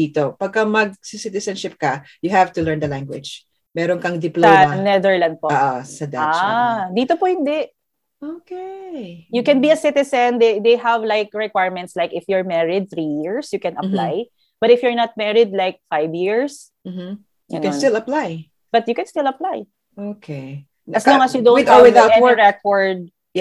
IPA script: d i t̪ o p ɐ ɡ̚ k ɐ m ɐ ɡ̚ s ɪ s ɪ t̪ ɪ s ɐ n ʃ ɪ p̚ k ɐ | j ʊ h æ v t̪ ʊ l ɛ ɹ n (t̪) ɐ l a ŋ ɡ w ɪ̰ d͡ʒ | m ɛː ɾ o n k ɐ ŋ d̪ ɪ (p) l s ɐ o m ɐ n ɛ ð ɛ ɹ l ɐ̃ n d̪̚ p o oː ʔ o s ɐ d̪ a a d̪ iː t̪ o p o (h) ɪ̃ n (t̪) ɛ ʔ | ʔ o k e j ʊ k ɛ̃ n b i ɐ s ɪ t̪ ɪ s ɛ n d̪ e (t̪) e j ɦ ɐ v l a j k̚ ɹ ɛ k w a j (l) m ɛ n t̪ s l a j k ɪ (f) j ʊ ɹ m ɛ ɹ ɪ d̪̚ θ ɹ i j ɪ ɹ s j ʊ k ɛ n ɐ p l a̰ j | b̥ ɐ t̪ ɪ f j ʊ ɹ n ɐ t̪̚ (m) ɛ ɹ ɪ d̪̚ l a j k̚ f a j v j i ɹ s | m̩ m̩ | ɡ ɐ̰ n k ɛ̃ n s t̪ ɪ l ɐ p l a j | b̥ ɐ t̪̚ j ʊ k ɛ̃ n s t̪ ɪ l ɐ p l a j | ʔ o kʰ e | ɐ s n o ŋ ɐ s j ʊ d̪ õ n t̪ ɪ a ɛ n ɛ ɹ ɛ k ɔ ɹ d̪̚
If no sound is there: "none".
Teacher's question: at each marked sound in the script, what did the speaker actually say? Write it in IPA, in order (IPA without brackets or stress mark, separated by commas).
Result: d̪, p, h, d̪, d̪, ɹ, f, m